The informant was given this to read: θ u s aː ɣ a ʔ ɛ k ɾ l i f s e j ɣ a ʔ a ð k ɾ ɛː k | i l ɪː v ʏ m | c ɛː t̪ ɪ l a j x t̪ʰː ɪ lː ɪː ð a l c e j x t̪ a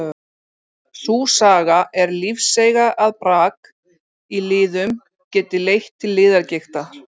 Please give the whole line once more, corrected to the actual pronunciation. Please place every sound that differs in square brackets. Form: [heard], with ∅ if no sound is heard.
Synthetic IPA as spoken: θ u s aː ɣ a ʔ ɛ [∅] ɾ l i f s e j ɣ a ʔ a ð [p] ɾ [aː] k | i l ɪː [ð] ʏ m | c ɛː t̪ ɪ l [e] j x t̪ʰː ɪ lː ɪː ð a [ɾ] c e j x t̪ a